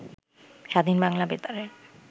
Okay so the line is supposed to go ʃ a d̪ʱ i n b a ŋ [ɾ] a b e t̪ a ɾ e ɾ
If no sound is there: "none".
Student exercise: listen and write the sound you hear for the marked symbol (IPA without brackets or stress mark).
l